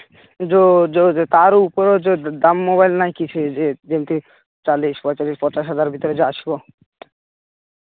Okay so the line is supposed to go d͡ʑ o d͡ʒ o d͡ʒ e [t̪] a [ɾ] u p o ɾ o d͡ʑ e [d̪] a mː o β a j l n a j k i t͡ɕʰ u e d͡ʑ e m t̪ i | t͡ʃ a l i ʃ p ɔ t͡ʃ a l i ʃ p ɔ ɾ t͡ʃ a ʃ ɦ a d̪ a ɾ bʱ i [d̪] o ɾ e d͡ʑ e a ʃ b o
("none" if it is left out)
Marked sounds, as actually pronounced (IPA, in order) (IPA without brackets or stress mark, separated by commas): t̪, ɾ, d̪, t̪